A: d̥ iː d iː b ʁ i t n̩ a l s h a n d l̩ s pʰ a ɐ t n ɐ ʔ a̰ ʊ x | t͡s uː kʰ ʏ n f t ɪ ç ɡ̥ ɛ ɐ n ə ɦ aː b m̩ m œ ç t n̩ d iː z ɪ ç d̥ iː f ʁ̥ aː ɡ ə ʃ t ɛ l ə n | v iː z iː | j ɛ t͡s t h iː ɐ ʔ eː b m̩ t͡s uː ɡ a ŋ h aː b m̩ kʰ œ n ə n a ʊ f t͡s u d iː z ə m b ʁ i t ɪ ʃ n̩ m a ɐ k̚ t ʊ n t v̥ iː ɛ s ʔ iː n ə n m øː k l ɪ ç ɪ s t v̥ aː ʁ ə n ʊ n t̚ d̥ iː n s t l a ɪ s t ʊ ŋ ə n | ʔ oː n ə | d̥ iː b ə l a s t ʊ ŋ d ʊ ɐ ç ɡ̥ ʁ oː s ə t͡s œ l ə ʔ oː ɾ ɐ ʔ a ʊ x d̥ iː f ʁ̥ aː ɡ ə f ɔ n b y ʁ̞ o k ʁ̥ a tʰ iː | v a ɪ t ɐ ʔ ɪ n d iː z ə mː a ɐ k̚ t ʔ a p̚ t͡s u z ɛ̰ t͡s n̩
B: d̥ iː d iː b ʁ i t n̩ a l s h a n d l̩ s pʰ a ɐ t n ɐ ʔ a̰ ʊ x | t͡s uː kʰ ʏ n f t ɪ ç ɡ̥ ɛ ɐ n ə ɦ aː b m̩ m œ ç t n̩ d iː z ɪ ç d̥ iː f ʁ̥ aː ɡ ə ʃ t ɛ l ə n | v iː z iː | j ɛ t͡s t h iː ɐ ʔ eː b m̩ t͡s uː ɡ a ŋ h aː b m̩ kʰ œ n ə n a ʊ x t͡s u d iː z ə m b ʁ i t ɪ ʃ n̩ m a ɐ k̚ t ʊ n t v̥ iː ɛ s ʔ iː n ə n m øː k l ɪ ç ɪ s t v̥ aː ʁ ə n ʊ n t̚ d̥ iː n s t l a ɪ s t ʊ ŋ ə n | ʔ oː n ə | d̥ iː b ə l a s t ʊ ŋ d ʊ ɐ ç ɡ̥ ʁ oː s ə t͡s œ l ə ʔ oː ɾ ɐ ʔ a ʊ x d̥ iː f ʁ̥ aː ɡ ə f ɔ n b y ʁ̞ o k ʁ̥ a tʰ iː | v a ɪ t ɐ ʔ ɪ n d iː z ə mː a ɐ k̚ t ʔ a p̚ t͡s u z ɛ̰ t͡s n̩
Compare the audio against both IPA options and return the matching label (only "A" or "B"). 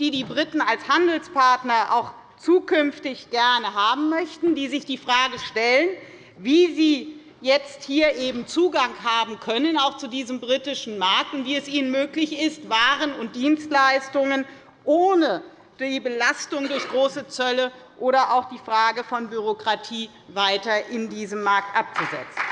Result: B